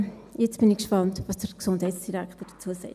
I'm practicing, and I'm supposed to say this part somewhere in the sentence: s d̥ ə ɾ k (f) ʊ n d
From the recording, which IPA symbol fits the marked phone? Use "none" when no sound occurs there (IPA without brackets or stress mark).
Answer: s